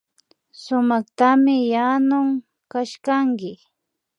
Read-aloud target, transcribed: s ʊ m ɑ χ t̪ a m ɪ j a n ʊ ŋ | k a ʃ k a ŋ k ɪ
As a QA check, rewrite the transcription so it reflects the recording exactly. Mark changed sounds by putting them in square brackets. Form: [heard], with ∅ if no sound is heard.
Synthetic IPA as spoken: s ʊ m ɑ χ t̪ a m ɪ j a n ʊ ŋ | k a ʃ k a ŋ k ɪ